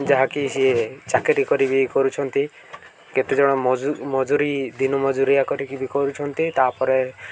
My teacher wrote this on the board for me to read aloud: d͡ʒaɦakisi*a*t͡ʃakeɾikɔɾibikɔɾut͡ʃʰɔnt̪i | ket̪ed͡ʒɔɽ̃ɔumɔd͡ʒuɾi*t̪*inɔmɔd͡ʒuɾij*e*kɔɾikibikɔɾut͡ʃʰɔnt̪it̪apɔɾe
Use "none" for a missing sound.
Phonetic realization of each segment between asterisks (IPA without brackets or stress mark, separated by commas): e, d̪, a